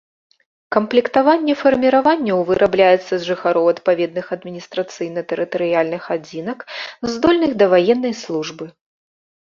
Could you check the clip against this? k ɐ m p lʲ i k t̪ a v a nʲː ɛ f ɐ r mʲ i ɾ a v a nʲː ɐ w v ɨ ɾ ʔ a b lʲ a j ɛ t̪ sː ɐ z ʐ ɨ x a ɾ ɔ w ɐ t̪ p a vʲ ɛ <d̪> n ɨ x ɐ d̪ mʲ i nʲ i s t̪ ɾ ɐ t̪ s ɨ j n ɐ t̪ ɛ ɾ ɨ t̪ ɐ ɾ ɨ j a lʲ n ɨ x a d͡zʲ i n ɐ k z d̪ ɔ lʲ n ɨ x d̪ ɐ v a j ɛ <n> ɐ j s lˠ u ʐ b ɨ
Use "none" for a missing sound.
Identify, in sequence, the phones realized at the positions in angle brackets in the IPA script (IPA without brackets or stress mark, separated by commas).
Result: d̪, nː